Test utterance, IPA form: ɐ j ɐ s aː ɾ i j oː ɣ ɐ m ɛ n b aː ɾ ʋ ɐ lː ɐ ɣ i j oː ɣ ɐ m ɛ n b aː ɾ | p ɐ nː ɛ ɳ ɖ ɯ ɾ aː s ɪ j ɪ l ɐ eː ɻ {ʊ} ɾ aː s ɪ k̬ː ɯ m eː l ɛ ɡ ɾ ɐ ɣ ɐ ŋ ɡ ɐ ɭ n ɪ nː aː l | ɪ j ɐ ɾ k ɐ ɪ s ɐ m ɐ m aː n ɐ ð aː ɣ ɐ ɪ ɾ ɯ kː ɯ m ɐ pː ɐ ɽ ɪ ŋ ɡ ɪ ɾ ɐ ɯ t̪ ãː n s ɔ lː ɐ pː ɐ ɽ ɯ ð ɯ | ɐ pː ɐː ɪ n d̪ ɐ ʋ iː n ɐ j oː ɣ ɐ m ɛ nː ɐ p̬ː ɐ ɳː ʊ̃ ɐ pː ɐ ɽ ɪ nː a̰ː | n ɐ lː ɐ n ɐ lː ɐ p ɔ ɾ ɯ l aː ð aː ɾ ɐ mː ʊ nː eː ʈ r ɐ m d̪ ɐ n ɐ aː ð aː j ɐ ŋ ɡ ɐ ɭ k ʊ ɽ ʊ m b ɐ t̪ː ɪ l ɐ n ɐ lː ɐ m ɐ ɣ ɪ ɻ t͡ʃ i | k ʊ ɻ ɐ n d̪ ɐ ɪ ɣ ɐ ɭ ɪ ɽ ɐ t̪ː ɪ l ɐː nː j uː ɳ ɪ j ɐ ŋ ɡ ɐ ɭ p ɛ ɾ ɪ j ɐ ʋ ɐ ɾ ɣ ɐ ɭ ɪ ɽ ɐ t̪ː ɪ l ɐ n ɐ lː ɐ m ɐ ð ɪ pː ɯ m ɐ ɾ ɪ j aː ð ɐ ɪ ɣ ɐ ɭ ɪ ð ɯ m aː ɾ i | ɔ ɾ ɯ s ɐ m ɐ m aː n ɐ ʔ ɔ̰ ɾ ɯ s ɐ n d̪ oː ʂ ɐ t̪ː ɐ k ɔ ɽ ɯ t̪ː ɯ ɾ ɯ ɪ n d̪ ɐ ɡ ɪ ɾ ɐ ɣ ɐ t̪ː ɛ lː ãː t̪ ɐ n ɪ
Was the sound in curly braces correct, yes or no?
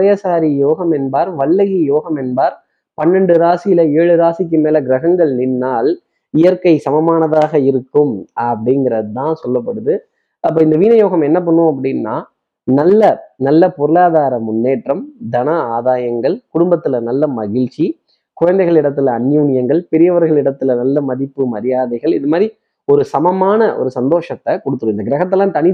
no